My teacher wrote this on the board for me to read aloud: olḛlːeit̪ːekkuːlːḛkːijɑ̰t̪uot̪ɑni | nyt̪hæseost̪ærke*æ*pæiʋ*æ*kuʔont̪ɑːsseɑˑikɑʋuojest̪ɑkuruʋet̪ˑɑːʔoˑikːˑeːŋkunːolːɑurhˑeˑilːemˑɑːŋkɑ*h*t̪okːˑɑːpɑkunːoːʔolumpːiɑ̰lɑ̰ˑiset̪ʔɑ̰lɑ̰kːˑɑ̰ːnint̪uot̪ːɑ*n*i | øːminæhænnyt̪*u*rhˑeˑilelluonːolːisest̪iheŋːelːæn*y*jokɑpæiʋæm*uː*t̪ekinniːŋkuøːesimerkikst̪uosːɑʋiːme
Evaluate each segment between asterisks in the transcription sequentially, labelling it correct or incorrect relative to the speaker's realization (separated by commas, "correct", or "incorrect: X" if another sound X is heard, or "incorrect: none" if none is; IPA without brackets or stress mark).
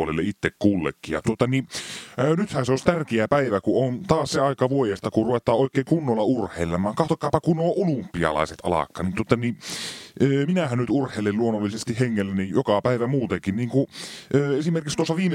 correct, correct, correct, correct, correct, incorrect: i, correct